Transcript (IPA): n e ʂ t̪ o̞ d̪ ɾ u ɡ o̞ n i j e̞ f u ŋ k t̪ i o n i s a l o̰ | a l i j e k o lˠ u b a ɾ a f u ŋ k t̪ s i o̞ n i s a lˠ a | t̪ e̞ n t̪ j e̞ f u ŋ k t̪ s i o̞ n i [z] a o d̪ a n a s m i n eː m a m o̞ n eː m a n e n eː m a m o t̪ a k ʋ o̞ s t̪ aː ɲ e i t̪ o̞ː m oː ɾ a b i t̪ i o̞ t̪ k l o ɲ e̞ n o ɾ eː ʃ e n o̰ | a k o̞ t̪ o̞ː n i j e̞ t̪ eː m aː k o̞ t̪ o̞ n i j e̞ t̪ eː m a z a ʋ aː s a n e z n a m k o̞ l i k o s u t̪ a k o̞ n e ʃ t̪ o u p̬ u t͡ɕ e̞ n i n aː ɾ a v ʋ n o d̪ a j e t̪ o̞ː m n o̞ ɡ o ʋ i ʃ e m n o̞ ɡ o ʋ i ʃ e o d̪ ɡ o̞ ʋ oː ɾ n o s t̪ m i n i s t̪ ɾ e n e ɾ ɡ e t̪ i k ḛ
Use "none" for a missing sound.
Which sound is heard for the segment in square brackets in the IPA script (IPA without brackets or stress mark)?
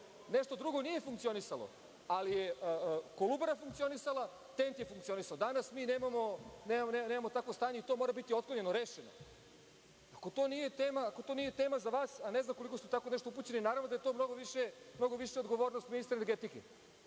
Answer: s